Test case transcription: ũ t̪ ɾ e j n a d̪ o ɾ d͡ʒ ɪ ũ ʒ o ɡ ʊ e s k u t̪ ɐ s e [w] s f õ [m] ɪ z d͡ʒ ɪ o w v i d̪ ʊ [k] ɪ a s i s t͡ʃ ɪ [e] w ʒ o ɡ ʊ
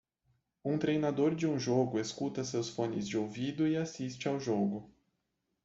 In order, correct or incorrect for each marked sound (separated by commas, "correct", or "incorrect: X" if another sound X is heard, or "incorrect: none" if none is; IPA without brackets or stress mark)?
correct, incorrect: n, incorrect: none, incorrect: a